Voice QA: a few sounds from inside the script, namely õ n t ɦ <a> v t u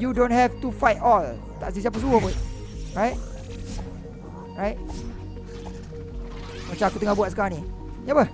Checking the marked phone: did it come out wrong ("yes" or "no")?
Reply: yes